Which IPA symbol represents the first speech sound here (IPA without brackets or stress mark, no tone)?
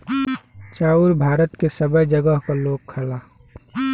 t͡ʃ